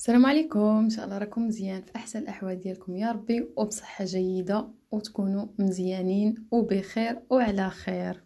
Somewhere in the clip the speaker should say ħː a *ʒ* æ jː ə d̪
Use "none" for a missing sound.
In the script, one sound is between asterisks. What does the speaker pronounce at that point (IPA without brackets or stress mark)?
ʒ